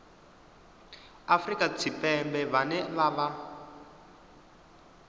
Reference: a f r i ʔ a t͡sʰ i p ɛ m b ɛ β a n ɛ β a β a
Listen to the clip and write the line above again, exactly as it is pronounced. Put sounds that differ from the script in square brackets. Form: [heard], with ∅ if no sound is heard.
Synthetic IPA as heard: a f r i [k] a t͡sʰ i p ɛ m b ɛ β a n ɛ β a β a